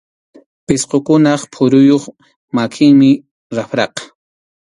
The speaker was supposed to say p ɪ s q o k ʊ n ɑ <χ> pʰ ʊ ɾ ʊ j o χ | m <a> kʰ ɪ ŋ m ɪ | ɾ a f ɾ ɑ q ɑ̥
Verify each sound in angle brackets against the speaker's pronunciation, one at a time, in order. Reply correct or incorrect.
correct, correct

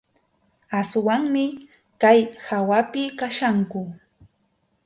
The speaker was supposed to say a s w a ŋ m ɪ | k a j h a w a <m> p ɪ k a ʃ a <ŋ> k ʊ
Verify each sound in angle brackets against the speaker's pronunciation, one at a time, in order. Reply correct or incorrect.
incorrect: none, correct

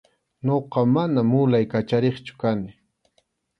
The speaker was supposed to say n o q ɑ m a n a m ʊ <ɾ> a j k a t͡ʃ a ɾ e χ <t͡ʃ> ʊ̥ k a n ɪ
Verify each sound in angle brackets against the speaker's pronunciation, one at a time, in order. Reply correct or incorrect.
incorrect: l, correct

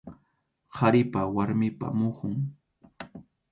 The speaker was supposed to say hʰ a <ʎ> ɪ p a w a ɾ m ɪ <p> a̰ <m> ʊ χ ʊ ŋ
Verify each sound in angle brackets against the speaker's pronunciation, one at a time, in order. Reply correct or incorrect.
incorrect: ɾ, correct, correct

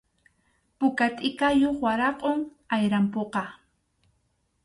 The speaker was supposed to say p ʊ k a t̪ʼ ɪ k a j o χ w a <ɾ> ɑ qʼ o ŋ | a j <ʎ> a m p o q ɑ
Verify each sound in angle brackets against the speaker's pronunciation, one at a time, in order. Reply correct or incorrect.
correct, incorrect: ɾ

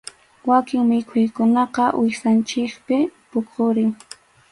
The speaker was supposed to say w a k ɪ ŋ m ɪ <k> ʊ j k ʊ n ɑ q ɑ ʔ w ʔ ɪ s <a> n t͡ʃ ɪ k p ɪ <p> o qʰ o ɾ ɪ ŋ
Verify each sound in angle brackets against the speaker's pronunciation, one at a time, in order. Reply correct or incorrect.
incorrect: kʰ, correct, correct

